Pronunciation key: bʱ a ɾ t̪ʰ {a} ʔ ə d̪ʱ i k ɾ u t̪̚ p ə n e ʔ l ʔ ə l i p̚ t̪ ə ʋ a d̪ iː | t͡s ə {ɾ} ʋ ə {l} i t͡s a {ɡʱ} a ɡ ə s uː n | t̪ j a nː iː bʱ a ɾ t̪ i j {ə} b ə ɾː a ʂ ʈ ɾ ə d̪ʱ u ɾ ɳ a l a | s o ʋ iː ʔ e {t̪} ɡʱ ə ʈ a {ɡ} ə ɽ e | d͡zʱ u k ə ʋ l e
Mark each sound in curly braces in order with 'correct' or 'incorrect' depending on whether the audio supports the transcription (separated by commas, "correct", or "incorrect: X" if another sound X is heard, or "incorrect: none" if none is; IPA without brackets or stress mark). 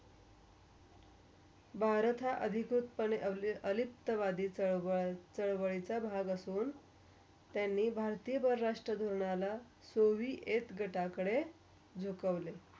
correct, incorrect: ɭ, incorrect: ɭ, incorrect: bʱ, correct, correct, incorrect: k